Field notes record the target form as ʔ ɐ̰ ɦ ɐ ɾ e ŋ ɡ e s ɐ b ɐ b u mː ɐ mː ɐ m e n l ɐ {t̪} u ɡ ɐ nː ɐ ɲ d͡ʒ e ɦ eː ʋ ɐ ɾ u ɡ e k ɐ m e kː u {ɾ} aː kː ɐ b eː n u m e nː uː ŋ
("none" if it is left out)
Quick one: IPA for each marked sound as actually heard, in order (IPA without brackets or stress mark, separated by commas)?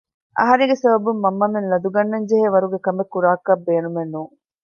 d̪, ɾ